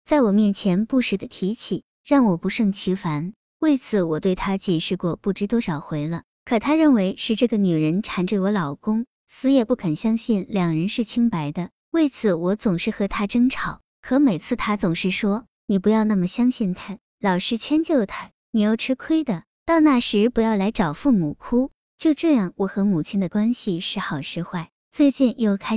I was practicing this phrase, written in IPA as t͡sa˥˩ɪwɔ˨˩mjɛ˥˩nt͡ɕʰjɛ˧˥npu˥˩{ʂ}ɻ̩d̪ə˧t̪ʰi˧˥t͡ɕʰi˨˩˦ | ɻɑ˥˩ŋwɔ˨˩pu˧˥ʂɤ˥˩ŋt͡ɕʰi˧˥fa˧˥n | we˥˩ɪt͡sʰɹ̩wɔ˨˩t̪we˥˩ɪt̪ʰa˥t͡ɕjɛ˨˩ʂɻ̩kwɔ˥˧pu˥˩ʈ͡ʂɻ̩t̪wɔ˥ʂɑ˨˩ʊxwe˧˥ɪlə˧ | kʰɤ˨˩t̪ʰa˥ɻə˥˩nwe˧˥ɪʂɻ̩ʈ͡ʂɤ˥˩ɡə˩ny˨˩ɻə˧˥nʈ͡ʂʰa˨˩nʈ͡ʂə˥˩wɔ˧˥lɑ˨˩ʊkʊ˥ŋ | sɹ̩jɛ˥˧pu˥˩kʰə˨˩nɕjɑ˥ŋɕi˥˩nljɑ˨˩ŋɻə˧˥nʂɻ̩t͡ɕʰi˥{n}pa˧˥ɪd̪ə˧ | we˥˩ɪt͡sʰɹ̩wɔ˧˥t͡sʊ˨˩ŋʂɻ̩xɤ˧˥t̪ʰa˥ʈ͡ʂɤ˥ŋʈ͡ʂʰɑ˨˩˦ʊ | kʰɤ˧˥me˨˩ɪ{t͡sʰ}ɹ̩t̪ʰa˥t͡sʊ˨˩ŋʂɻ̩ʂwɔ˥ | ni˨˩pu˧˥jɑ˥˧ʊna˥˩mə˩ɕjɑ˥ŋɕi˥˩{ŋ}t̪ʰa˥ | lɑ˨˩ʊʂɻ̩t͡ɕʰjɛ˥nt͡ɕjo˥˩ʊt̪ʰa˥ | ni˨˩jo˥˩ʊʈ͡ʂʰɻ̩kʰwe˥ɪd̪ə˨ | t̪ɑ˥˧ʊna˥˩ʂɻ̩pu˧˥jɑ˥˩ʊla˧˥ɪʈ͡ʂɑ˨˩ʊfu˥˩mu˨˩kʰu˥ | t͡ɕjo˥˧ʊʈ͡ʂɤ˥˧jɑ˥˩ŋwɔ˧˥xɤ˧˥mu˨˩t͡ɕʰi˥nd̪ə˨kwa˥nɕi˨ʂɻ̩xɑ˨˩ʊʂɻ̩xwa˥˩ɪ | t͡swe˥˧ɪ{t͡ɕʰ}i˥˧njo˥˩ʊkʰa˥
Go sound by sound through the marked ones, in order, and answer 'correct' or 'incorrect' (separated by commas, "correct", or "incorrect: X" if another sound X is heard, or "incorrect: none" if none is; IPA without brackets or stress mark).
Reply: correct, incorrect: ŋ, correct, incorrect: n, incorrect: t͡ɕ